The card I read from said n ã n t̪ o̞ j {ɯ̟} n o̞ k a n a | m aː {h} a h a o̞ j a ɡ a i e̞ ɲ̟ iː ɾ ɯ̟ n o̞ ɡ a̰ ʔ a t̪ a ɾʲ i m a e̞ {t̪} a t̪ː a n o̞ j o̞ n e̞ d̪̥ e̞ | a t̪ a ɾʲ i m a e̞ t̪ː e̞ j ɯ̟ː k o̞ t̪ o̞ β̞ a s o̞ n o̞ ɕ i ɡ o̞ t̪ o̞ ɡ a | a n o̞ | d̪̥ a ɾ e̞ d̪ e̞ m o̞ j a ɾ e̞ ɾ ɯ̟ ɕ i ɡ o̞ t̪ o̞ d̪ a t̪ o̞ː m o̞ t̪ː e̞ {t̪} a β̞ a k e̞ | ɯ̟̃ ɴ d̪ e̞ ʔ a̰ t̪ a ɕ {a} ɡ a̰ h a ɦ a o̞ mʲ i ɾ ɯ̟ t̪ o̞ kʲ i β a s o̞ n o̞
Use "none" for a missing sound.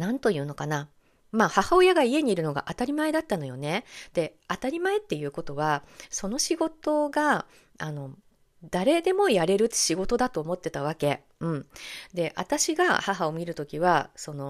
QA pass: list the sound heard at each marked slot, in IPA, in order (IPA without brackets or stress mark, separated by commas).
ɯ̟ː, h, d̪, t̪, i